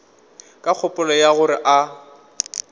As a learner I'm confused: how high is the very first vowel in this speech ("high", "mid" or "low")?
low